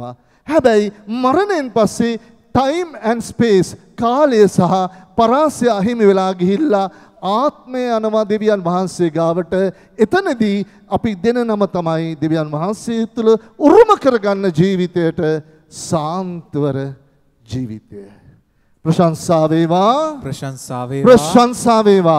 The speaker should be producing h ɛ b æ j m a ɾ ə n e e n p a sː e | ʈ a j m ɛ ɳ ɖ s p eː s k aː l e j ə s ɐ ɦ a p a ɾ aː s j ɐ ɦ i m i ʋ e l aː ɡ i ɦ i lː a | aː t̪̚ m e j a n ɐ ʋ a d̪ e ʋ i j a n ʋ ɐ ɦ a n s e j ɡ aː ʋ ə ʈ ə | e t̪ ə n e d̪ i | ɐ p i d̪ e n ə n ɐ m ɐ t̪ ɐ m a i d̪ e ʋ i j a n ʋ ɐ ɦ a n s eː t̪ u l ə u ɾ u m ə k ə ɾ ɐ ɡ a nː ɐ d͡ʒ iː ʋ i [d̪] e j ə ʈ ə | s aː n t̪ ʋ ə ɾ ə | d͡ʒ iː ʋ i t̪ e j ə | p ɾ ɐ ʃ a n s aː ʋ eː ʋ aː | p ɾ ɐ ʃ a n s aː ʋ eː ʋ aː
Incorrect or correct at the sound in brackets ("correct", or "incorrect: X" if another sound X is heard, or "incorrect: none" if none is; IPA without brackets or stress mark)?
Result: incorrect: t̪